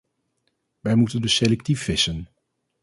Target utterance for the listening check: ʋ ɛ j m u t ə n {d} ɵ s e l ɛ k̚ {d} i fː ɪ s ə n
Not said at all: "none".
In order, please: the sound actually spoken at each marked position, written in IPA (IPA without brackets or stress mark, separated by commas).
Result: d, t